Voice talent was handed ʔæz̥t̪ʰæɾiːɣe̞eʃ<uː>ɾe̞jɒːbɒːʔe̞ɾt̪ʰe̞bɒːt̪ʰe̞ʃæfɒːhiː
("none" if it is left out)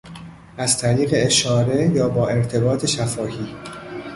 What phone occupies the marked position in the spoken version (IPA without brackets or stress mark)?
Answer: ɒː